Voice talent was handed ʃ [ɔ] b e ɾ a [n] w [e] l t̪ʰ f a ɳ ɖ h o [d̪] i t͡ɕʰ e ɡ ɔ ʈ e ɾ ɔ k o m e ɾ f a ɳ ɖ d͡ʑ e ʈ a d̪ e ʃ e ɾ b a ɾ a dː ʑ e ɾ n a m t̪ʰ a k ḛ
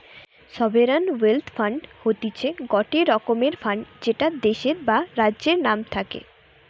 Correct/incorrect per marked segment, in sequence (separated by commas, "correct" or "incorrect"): correct, correct, correct, incorrect